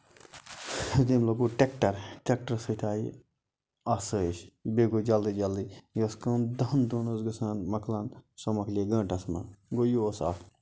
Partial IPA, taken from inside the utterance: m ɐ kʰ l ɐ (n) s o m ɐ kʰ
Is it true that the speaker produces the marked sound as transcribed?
yes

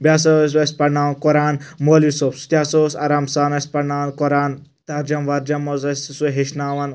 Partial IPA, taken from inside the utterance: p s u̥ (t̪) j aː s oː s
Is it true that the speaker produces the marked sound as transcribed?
yes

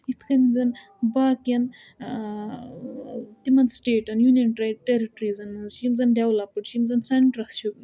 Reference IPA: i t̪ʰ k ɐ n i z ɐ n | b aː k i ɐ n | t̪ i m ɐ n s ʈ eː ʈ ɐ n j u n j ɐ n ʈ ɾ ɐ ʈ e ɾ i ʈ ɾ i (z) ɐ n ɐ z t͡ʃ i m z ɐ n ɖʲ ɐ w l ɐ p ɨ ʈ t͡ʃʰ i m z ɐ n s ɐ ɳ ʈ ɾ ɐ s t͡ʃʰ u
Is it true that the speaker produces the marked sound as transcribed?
yes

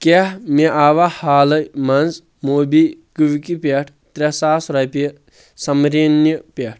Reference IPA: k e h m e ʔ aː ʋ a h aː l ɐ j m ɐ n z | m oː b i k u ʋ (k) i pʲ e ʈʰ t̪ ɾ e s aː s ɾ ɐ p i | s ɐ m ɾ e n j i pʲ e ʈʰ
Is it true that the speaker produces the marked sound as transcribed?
yes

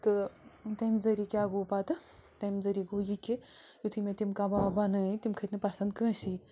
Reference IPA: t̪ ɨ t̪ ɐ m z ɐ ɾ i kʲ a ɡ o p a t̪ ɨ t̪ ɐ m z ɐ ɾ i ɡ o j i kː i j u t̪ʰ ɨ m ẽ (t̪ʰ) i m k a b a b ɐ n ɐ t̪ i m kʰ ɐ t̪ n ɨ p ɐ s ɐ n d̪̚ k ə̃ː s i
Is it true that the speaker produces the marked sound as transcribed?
no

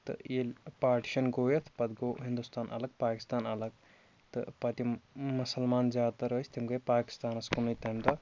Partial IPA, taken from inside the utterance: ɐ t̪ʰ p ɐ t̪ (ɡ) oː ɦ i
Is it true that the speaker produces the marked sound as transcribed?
yes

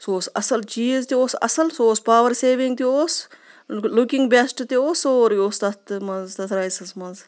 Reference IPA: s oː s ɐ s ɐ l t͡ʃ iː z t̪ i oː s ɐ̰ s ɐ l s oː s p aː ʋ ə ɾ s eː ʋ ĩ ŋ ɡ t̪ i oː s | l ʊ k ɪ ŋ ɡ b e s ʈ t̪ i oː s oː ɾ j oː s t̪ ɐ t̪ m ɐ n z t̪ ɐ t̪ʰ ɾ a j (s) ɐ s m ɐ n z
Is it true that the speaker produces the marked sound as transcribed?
yes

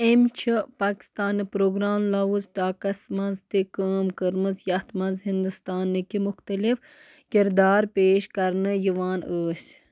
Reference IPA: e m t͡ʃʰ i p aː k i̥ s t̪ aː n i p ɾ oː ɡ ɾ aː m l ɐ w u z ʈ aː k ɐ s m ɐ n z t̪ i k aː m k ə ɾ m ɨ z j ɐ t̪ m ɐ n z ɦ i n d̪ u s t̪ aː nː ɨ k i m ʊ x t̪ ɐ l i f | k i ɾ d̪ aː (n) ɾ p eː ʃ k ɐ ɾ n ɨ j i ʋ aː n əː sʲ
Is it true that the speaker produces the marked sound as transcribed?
no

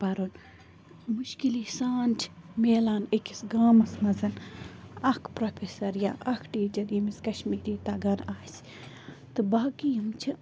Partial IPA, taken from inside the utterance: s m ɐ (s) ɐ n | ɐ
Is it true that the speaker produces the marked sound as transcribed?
no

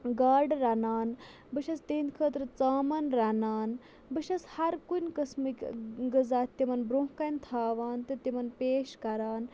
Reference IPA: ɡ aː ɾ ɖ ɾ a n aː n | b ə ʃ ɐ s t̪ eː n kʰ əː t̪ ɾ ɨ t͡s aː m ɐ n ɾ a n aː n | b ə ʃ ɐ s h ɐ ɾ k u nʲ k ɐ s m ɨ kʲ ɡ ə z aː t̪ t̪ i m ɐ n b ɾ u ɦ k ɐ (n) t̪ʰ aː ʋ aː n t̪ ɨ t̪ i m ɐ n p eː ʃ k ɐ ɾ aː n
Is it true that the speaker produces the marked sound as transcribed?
yes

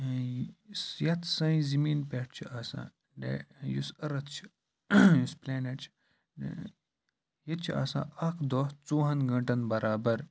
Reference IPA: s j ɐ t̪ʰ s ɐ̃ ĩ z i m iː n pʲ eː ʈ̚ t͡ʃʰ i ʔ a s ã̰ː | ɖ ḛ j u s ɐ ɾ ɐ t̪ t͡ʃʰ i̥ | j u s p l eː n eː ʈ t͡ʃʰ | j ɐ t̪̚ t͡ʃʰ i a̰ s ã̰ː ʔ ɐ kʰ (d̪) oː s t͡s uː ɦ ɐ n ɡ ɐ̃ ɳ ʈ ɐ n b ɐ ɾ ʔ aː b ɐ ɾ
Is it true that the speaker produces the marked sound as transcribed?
yes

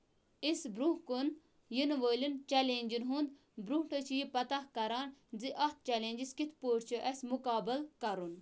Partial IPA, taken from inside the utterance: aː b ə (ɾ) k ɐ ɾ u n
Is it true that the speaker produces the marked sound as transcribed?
no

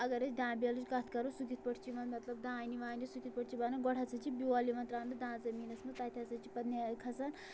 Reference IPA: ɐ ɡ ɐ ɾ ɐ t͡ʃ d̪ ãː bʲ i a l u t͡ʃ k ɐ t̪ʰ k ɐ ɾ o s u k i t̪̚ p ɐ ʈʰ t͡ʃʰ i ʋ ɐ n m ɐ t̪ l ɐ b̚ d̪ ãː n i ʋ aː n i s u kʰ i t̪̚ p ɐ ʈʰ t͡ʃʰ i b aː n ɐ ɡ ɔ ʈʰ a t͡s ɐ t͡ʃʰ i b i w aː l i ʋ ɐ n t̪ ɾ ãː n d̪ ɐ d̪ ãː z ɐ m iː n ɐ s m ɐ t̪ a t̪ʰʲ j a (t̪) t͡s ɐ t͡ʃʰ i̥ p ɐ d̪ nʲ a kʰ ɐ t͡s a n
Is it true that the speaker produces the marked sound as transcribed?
no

